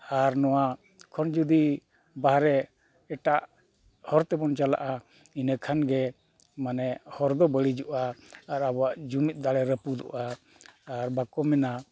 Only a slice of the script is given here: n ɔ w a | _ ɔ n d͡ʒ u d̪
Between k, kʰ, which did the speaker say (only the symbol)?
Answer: kʰ